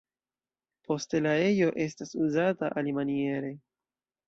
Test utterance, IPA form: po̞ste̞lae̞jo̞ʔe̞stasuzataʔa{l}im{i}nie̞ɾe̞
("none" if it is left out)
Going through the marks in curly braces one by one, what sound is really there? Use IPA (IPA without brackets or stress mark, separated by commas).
l, a